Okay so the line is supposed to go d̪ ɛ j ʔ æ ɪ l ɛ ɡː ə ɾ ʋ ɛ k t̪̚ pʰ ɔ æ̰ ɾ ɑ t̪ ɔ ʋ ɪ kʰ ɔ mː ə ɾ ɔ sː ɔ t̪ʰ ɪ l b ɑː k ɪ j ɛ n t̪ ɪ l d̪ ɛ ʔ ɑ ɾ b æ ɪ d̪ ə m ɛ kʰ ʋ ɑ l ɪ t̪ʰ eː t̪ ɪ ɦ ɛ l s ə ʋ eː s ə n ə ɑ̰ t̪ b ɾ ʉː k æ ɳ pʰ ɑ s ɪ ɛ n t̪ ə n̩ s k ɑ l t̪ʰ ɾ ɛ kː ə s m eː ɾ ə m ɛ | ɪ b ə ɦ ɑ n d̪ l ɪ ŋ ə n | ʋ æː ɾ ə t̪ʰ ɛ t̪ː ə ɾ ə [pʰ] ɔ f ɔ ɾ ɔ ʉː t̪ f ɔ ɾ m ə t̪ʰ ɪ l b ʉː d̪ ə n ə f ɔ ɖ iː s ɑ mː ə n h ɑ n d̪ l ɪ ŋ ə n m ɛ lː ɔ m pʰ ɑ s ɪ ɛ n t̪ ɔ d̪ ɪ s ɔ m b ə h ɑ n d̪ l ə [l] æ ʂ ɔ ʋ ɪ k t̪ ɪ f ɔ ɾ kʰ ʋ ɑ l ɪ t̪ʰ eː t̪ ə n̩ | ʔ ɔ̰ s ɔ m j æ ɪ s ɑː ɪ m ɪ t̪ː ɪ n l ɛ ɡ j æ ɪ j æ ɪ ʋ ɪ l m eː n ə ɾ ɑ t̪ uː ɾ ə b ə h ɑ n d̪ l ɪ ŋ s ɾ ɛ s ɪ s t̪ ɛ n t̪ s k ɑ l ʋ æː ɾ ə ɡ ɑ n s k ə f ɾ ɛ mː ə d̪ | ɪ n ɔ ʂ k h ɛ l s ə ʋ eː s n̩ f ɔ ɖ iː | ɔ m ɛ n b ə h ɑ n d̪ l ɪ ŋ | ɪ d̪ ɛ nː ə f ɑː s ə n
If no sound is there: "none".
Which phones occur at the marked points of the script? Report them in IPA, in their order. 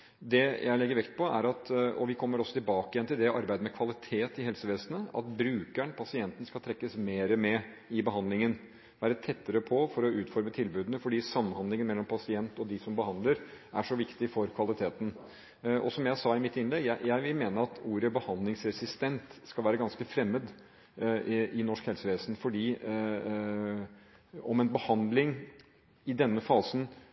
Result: pʰ, ɾ

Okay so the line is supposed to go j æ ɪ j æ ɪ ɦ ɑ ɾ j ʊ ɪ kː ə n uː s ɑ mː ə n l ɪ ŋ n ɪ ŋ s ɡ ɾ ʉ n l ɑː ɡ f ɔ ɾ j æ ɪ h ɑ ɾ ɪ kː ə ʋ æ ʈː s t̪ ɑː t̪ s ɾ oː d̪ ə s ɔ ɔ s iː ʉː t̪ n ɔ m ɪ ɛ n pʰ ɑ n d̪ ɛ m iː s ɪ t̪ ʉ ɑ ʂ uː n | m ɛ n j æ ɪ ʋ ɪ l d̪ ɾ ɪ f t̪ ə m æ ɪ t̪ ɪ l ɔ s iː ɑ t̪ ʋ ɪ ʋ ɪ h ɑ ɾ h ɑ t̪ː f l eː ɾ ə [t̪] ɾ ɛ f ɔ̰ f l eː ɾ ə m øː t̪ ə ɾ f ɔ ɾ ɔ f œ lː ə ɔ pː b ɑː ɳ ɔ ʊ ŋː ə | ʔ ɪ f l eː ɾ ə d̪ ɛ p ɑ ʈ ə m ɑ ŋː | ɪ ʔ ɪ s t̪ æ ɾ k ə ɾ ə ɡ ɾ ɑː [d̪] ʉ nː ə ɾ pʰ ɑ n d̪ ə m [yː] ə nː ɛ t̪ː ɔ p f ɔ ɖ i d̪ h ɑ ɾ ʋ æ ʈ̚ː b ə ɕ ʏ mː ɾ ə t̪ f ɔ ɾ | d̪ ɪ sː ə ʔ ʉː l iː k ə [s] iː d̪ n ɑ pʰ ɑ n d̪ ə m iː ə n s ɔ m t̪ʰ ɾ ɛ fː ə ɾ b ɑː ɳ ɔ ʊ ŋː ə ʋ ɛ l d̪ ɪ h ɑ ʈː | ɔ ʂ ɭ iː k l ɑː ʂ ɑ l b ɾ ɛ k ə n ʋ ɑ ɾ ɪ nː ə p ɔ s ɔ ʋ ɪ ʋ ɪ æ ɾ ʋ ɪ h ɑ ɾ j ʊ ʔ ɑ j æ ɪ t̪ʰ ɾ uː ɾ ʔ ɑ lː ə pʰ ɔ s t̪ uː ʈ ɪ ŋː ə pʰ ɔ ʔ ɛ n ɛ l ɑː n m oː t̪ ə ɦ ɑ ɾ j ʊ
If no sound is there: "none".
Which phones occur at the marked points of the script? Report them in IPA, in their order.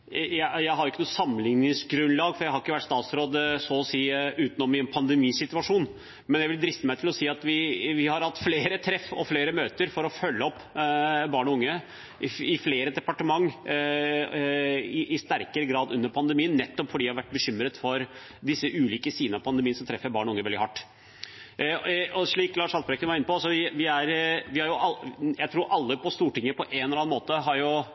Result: t̪ʰ, d̪, iː, s

